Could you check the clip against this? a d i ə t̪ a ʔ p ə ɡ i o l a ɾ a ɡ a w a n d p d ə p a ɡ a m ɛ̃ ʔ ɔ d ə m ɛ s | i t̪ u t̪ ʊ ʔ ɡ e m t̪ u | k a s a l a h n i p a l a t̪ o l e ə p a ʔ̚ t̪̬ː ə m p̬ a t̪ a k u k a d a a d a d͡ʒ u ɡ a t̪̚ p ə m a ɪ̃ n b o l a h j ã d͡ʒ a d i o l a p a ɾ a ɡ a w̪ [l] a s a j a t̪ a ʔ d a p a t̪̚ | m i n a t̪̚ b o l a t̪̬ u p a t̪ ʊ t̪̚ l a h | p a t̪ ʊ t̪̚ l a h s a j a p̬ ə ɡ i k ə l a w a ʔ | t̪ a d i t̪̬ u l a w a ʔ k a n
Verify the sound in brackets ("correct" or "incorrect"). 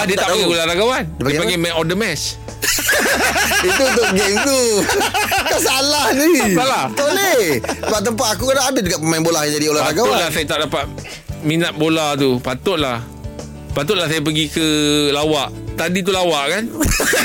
correct